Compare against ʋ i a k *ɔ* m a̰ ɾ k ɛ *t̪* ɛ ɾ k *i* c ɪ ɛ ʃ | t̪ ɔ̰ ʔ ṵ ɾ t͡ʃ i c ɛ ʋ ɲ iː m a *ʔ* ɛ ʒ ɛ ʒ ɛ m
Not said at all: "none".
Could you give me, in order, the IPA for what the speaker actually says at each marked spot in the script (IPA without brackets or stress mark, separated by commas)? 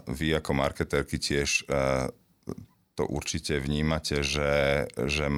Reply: ɔ, t̪, i, c